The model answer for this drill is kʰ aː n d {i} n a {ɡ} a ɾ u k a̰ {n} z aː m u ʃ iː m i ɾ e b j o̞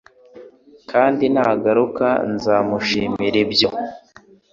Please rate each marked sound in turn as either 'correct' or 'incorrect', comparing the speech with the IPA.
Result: correct, correct, correct

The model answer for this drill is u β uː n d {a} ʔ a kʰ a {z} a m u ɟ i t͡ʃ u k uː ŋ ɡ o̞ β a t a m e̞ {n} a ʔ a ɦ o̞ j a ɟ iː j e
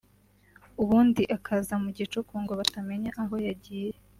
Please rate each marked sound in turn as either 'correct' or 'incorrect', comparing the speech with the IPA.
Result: incorrect, correct, incorrect

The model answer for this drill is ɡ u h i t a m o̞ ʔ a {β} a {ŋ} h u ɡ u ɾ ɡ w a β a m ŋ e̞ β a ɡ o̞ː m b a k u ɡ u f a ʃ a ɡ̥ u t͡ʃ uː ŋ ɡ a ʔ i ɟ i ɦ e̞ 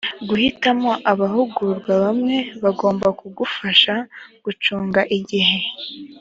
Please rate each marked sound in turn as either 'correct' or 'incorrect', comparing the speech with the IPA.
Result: correct, incorrect

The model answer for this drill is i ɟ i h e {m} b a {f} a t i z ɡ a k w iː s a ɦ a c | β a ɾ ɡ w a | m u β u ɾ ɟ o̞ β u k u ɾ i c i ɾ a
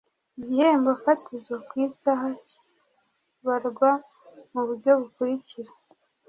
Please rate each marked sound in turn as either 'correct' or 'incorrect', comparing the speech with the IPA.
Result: correct, correct

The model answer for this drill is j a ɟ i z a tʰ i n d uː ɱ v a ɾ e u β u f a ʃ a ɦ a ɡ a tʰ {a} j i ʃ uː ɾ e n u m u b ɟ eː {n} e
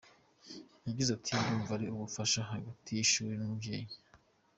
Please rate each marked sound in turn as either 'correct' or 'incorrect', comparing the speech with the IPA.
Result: incorrect, incorrect

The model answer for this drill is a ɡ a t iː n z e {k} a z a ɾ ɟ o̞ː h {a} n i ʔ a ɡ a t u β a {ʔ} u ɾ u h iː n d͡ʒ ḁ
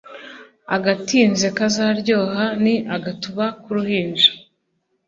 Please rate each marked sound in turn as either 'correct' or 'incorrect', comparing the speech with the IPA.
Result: correct, correct, incorrect

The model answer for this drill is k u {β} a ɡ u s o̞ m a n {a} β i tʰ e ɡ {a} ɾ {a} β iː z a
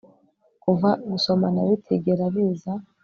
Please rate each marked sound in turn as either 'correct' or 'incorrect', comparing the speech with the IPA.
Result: incorrect, correct, incorrect, correct

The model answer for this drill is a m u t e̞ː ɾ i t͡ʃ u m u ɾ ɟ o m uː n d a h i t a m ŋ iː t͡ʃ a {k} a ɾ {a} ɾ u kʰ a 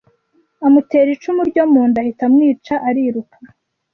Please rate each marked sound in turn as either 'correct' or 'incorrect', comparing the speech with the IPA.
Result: incorrect, incorrect

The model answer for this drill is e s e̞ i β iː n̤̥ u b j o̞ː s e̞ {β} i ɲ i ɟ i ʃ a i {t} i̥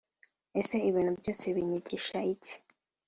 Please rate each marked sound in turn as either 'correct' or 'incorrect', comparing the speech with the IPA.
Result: correct, incorrect

